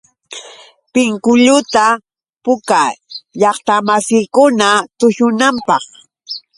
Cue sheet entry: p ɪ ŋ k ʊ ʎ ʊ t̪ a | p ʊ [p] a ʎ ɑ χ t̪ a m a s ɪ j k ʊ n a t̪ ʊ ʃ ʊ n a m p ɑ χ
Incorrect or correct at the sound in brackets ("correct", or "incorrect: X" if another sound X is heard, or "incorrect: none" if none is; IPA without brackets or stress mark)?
incorrect: k